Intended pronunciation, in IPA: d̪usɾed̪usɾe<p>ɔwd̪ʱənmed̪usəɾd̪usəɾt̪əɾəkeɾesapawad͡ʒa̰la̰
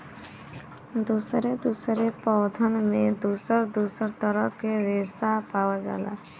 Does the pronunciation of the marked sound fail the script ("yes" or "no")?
no